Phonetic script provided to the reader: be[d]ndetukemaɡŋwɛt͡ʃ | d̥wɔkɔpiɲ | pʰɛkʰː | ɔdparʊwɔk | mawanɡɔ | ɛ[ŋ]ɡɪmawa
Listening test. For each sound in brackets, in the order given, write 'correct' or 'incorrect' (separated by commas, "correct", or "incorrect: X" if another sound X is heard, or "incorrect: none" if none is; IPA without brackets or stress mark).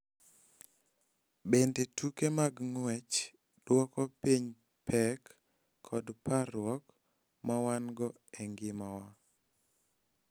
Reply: incorrect: none, correct